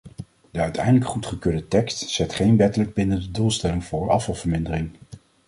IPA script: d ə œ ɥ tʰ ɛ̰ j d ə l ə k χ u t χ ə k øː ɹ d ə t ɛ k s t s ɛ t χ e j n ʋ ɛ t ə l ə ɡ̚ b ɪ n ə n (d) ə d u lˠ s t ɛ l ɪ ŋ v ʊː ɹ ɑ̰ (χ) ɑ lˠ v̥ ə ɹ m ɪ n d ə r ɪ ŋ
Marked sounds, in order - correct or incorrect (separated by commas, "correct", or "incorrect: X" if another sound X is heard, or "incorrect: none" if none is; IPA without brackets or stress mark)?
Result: correct, incorrect: f